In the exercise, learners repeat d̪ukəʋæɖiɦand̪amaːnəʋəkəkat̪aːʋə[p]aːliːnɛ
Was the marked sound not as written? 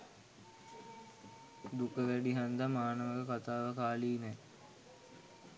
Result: yes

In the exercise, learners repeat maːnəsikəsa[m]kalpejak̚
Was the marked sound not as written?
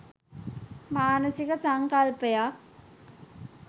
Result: yes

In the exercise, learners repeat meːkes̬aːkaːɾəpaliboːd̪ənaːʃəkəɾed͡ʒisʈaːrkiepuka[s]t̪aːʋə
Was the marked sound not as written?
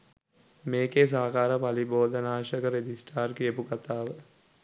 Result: yes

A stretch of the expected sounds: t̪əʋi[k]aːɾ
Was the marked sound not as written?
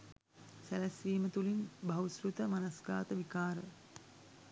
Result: no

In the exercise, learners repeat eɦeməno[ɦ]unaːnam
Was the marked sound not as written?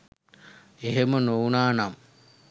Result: yes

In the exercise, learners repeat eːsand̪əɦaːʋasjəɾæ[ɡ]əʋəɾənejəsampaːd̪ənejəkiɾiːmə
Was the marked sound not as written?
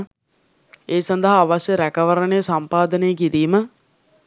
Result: yes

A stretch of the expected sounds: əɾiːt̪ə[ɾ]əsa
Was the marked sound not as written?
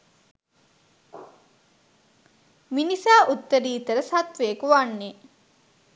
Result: no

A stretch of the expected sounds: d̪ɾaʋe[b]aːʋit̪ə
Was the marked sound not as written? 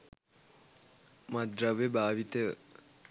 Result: no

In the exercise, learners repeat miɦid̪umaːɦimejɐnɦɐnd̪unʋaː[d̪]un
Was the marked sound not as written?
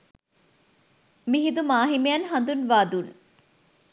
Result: no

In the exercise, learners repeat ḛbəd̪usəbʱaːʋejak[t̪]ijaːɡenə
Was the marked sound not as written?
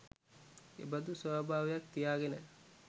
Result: no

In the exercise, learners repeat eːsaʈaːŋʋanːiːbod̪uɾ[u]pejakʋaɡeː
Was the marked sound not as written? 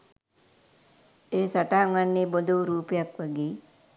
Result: yes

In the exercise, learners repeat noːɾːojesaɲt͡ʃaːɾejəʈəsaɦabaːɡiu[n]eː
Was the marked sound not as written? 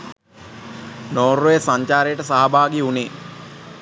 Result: no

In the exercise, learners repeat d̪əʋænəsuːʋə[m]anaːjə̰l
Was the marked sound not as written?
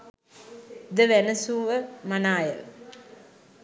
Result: no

